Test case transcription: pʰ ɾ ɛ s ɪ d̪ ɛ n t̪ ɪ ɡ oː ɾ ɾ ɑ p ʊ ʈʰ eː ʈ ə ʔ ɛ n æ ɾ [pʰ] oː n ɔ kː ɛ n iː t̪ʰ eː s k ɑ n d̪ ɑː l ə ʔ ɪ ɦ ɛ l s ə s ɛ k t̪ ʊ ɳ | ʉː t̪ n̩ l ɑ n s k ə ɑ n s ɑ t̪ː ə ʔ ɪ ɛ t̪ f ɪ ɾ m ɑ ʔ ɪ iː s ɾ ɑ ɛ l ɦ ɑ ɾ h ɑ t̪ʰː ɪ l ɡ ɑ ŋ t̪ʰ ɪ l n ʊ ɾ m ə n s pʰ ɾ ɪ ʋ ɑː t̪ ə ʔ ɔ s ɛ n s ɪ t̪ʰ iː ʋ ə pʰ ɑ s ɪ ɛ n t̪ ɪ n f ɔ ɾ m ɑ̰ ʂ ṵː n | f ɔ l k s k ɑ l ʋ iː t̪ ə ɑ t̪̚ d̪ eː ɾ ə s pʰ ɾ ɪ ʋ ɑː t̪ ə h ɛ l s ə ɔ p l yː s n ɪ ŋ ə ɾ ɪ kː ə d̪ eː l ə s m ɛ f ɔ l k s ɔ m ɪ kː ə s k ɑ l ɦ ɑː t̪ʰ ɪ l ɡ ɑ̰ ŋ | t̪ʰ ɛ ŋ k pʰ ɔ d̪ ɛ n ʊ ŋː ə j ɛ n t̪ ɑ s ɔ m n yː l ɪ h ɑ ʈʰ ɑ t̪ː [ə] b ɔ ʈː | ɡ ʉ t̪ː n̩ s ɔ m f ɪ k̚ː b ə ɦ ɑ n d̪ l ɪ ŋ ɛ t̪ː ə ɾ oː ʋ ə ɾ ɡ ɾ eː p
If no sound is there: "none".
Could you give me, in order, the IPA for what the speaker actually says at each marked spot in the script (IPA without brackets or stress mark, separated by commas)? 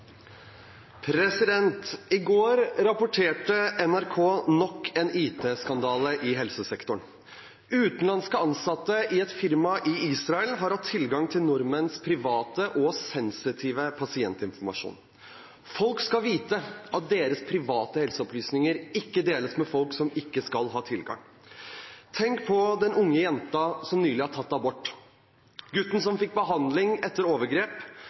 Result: kʰ, ɑ